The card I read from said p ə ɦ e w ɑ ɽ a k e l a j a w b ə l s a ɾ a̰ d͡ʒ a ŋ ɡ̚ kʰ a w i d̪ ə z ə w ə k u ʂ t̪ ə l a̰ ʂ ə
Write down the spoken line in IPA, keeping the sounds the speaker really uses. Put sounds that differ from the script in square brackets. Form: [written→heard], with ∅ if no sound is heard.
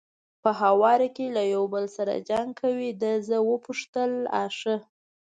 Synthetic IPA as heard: p ə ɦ [e→a] w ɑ [ɽ→ɾ] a k e l a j a w b ə l s a ɾ a̰ d͡ʒ a ŋ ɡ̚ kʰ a w i d̪ ə z ə w ə [k→p] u ʂ t̪ ə l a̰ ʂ ə